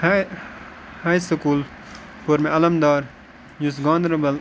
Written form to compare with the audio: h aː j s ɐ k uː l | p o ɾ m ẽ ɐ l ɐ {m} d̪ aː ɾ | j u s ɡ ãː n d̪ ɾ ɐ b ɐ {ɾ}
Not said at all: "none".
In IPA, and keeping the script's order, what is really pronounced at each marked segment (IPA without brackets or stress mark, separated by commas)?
m, l